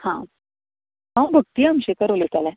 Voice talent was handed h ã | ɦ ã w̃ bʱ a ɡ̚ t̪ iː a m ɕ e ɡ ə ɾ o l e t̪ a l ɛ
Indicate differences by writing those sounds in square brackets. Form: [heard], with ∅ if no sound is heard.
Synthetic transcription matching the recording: h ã | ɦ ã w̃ bʱ [ə] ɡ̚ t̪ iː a m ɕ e [k] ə ɾ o l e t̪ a l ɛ